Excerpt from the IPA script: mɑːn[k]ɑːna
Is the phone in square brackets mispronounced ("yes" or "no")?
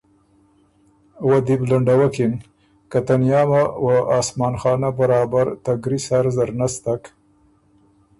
yes